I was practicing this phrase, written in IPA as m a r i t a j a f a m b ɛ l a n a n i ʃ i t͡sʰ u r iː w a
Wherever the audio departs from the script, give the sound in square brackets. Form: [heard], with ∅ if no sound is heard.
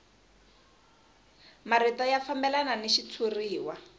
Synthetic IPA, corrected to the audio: m a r i t a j a f a m b ɛ l a n a n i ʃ i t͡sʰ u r iː w a